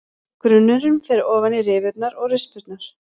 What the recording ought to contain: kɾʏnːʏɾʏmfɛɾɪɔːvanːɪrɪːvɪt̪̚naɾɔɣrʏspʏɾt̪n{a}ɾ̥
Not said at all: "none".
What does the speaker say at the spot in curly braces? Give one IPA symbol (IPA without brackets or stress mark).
a